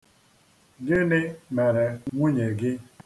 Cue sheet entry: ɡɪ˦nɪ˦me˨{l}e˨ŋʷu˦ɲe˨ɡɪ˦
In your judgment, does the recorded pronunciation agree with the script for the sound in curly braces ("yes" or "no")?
no